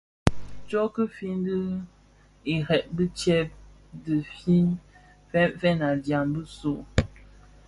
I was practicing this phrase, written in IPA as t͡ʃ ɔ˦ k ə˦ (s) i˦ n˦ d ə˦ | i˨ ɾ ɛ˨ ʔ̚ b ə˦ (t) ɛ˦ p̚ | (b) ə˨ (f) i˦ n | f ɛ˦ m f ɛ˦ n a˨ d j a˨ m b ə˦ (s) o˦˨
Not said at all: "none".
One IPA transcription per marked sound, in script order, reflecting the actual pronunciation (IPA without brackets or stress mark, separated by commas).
f, t͡ʃ, d, f, s